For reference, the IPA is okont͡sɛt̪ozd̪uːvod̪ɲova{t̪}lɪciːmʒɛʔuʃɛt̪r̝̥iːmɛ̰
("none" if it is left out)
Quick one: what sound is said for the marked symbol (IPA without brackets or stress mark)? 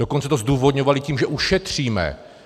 none